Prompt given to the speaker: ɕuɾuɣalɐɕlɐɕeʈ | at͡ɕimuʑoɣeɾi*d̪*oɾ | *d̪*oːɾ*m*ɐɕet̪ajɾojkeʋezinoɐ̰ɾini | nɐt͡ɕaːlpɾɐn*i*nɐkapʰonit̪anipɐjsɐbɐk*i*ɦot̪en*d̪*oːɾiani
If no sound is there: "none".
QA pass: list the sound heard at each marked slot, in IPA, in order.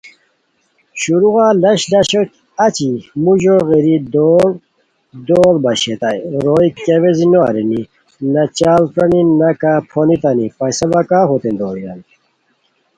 d̪, d̪, b, i, a, d̪

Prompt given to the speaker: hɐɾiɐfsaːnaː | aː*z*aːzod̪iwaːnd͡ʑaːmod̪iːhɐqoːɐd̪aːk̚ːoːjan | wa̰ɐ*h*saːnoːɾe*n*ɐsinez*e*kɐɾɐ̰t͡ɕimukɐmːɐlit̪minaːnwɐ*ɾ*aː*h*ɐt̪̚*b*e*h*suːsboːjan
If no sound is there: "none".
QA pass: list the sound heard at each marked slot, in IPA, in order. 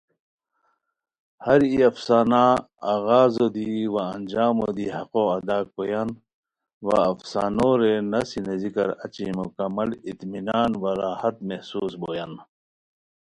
ɣ, f, n, i, ɾ, h, m, h

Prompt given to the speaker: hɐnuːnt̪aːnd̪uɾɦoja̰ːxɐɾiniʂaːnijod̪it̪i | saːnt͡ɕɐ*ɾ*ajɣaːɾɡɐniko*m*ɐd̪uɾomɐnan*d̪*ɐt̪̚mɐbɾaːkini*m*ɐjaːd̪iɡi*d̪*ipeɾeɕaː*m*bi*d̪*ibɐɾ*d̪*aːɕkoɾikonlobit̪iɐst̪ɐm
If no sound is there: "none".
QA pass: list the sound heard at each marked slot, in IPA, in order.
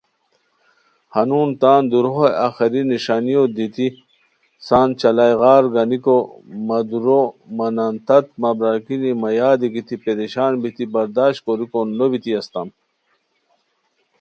l, m, t̪, m, t̪, n, t̪, d̪

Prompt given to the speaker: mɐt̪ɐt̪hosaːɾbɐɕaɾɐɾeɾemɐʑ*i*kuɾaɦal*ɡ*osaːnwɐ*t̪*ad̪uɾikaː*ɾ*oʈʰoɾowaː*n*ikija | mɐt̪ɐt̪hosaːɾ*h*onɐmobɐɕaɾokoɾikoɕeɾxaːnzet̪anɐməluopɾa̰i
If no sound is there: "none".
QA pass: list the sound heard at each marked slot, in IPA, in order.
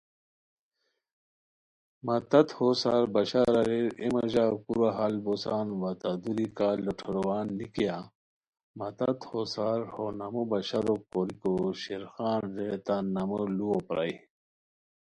a, b, t̪, l, nː, h

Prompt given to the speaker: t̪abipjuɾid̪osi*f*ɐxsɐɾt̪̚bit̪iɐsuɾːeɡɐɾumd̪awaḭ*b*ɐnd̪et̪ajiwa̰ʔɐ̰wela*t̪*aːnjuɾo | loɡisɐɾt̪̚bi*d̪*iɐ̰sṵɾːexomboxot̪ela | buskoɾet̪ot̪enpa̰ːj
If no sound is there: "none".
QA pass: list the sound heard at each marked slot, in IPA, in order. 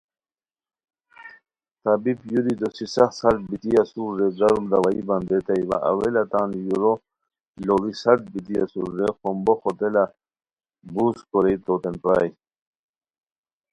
s, b, t̪, t̪

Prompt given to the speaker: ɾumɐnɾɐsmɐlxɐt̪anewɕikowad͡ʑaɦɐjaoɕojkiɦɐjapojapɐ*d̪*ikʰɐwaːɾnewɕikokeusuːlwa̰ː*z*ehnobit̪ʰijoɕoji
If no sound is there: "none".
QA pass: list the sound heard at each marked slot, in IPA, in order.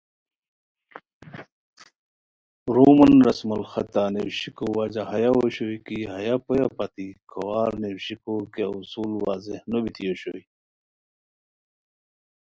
t̪, z

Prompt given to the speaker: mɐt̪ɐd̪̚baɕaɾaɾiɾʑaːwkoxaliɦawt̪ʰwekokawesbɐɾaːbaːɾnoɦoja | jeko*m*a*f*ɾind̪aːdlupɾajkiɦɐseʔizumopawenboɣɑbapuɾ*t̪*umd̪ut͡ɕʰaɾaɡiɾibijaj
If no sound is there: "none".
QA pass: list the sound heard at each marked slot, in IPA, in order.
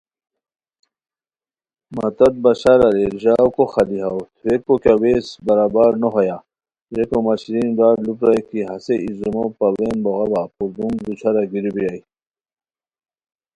m, ɕ, d̪

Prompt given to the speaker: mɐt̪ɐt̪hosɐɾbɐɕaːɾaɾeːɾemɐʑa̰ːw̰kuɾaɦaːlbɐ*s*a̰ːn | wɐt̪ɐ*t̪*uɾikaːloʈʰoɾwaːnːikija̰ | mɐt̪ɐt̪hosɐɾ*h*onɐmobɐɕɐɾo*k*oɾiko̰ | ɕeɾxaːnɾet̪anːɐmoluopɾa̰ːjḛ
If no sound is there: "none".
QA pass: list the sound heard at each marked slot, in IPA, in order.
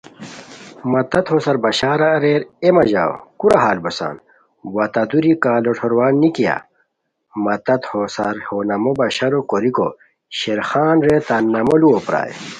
s, d̪, h, k

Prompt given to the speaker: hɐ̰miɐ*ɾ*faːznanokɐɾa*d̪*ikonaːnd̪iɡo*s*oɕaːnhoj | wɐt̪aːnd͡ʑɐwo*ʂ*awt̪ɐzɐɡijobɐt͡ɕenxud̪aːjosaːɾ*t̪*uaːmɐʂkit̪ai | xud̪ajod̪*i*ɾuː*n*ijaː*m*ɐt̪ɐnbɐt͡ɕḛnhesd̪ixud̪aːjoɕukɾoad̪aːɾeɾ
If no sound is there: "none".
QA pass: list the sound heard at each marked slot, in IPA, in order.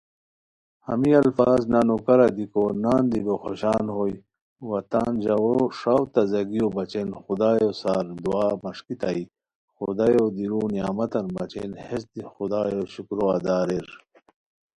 l, d̪, x, ʂ, d̪, i, n, m

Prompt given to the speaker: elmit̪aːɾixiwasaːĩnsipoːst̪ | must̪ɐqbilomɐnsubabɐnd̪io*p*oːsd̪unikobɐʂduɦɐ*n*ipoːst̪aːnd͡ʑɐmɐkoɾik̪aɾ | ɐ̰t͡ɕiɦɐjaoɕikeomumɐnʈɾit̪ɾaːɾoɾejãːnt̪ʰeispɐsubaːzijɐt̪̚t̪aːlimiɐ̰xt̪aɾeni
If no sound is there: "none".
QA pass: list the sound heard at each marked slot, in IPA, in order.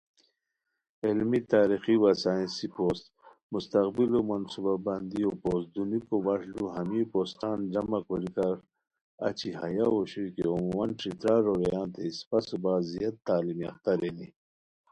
p, m

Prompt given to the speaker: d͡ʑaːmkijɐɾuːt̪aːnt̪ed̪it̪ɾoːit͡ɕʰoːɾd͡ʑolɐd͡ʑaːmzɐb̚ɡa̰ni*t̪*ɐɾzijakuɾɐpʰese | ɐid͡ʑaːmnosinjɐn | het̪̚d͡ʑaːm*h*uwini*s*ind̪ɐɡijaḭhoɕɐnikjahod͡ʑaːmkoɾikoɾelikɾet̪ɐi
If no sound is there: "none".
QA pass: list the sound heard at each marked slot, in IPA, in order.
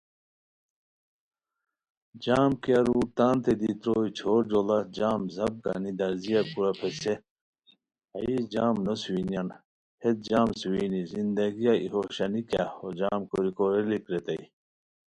d̪, s, z

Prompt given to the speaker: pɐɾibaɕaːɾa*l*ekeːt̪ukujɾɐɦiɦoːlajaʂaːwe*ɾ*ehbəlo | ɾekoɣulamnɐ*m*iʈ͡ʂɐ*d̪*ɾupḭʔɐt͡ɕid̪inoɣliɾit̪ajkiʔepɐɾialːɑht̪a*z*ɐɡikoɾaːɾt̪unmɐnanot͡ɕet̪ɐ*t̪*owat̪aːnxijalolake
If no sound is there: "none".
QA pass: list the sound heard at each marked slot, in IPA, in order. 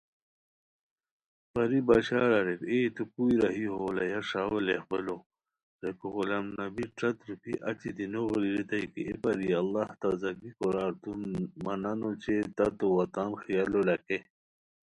ɾ, l, b, t̪, z, t̪

